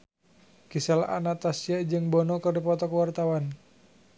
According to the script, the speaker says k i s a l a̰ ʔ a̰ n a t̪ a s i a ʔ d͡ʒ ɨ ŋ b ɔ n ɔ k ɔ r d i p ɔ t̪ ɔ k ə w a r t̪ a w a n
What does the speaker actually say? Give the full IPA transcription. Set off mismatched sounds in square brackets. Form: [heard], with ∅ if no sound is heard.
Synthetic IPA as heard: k i s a l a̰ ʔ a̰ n a t̪ a s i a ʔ d͡ʒ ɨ ŋ b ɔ n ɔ k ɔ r d i p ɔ t̪ ɔ k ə w a r t̪ a w a n